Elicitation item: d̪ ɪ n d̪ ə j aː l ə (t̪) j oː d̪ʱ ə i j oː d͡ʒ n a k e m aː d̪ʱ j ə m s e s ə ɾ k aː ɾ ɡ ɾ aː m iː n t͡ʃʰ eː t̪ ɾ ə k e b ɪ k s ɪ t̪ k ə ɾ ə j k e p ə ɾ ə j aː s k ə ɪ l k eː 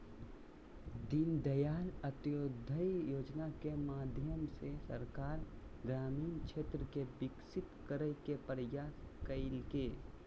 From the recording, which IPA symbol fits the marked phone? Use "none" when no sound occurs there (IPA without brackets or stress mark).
t̪